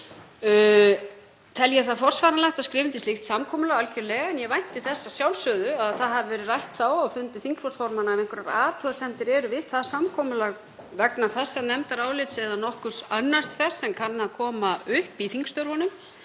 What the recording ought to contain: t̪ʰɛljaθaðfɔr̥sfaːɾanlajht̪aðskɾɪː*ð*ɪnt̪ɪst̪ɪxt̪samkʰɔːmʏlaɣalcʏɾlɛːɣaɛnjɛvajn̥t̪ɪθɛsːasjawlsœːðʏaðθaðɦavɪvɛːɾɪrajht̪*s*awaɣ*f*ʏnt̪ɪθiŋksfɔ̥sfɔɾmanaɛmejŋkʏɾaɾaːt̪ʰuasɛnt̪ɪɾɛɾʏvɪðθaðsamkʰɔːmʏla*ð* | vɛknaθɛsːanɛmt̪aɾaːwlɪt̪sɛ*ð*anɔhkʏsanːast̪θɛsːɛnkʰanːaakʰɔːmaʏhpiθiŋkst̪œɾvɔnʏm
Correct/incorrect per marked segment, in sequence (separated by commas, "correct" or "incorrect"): incorrect, incorrect, correct, incorrect, correct